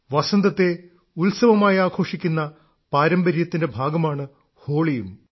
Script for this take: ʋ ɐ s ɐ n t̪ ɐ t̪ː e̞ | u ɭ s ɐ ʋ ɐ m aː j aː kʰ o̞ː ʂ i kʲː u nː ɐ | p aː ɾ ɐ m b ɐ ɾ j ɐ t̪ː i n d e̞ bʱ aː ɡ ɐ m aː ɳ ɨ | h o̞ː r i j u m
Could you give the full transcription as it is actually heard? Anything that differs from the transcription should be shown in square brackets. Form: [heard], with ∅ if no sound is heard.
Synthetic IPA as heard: ʋ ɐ s ɐ n [d̪] ɐ t̪ː e̞ | u [l] s ɐ ʋ ɐ m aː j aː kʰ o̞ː ʂ i kʲː u nː ɐ | p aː ɾ ɐ m b ɐ ɾ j ɐ t̪ː i n d e̞ bʱ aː ɡ ɐ m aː ɳ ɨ | h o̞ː [ɭ] i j u m